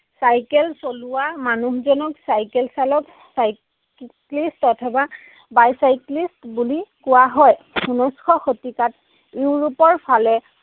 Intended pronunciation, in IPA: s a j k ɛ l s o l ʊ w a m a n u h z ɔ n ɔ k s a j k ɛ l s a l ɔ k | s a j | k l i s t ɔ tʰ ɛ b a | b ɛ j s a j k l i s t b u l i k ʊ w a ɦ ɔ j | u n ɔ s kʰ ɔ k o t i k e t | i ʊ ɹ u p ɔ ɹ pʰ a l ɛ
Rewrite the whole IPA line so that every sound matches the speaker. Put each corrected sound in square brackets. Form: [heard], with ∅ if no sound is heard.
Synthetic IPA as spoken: s a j k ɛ l s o l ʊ w a m a n u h z ɔ n ɔ k s a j k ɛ l s a l ɔ k | s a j | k l i s t ɔ tʰ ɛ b a | b [a] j s a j k l i s t b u l i k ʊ w a ɦ ɔ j | u n ɔ s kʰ ɔ [x] o t i k [a] t | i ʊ ɹ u p ɔ ɹ pʰ a l ɛ